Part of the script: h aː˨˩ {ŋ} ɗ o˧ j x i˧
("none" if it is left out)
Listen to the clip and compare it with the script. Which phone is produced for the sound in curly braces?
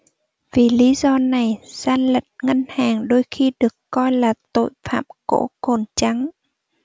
ŋ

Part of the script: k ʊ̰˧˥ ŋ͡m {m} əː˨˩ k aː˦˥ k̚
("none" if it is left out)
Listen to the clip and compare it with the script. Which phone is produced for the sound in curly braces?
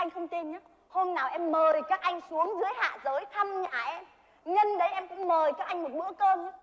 m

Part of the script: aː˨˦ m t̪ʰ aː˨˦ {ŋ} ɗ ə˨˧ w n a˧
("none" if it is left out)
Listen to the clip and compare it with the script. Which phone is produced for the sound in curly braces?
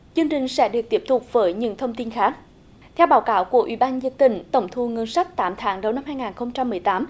ŋ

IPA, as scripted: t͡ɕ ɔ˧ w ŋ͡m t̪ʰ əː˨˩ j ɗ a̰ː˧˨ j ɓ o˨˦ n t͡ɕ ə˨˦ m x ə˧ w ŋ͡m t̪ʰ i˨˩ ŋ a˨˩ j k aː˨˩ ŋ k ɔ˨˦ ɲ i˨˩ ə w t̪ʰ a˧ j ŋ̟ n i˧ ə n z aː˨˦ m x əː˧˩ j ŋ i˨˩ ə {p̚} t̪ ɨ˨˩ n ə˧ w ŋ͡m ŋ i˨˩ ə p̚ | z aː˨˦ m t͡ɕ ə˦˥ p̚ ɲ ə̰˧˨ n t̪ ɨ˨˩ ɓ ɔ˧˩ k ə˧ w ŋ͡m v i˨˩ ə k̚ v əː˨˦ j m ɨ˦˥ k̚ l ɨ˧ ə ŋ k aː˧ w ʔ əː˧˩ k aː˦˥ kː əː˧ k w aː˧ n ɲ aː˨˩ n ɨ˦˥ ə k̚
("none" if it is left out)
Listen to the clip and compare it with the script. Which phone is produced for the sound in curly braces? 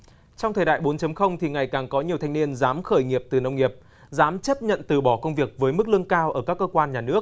p̚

